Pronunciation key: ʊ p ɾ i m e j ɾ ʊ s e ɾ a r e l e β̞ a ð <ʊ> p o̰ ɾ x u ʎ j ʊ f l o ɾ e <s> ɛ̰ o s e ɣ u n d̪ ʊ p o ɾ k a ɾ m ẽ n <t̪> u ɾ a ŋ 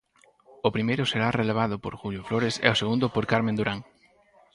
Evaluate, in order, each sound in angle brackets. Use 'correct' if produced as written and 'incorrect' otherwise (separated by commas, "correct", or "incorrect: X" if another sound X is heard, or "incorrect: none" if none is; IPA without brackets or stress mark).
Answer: correct, correct, incorrect: d̪